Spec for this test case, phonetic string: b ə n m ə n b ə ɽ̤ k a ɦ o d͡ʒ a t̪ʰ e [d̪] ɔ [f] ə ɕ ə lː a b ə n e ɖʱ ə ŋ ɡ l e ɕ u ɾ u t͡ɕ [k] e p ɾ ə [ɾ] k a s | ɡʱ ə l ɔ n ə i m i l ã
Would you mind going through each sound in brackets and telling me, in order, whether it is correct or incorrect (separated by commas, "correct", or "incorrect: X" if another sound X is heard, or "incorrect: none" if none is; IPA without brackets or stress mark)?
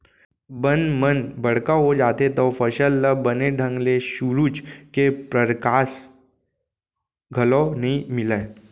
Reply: incorrect: t̪, correct, correct, correct